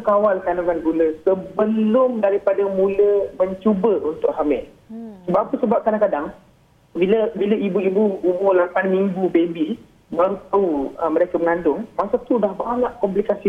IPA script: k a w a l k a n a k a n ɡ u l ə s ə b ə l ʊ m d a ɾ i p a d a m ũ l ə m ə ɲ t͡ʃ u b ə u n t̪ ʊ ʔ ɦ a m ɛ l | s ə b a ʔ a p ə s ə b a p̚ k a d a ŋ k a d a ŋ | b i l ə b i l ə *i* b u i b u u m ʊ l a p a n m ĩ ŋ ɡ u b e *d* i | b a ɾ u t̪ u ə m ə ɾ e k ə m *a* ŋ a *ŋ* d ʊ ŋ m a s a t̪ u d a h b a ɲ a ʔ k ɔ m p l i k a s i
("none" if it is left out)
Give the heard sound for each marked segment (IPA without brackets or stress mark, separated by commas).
i, b, ə, n